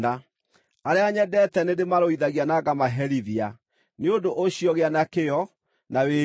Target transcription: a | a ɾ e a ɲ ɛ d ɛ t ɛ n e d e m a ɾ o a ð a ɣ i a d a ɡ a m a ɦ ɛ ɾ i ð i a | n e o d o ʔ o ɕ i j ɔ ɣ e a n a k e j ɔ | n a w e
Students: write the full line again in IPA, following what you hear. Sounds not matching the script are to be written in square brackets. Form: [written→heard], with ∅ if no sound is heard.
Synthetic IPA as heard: a | a ɾ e a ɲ ɛ d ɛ t ɛ n e d e m a ɾ o [a→i] ð a ɣ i a [d→n] a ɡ a m a ɦ ɛ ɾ i ð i a | n e o d o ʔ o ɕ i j ɔ ɣ e a n a k e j ɔ | n a w e